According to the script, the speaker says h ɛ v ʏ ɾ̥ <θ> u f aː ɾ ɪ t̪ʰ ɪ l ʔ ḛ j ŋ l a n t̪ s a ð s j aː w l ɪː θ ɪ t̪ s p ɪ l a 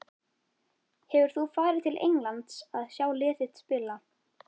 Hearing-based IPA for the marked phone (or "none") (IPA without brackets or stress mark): θ